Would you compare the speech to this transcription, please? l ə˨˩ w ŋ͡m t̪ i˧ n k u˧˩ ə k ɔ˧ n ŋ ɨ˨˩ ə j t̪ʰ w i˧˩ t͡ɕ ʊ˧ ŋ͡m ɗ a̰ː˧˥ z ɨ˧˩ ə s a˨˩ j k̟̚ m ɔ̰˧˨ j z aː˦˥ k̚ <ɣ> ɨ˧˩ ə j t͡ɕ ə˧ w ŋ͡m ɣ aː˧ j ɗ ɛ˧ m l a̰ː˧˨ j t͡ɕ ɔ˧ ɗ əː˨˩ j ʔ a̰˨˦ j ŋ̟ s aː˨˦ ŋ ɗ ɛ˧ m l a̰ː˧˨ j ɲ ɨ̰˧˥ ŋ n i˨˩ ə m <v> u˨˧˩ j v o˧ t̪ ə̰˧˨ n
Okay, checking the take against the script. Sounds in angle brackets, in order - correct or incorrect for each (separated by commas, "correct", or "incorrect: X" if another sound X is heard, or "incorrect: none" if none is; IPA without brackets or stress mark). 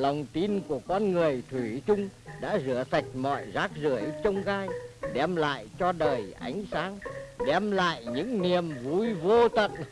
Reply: incorrect: z, correct